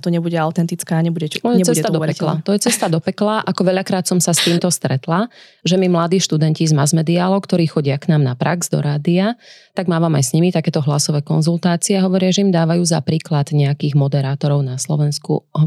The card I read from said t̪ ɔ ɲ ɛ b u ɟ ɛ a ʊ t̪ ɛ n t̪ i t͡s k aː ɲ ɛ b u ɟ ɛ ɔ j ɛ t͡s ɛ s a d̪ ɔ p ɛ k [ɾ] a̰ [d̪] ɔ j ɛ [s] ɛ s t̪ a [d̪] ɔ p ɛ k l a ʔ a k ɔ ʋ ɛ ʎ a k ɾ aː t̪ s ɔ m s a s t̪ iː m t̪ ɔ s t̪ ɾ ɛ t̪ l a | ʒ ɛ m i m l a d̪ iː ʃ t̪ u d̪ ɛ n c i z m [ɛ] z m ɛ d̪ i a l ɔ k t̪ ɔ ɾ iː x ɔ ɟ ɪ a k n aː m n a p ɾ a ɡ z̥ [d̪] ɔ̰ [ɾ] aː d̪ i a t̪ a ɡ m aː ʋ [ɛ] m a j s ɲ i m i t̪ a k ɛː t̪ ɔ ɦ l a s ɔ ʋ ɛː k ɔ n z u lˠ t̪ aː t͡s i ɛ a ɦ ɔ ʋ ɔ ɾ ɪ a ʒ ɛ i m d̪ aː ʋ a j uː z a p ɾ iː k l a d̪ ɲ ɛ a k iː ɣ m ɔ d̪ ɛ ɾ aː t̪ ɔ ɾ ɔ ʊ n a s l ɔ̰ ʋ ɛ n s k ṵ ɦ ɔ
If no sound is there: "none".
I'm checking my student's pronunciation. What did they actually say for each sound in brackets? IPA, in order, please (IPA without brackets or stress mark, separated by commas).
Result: l, t̪, t͡s, d̪, a, d̪, ɾ, a